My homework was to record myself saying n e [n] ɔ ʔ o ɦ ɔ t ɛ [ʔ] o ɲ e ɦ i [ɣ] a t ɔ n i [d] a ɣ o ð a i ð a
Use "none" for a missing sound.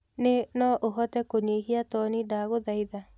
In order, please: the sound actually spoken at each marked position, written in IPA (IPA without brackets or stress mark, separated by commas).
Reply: n, k, none, d